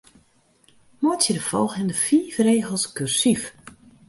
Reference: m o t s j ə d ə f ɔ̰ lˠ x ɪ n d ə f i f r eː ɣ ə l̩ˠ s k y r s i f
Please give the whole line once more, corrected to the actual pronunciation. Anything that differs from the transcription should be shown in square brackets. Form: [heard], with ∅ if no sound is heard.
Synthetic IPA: m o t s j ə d ə f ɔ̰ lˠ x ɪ n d ə f [iː] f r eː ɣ ə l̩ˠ s k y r s i f